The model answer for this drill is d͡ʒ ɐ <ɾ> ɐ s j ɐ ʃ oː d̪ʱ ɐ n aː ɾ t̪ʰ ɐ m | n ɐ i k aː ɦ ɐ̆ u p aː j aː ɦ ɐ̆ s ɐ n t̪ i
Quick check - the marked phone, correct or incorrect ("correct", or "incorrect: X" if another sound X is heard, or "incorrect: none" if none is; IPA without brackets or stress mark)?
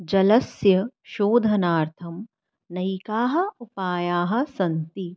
incorrect: l